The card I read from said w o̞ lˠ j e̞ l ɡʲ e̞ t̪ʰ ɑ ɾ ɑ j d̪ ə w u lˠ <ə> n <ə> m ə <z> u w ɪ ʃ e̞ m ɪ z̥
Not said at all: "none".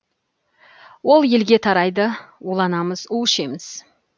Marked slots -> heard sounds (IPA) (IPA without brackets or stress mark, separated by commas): ɑ, ɑ, z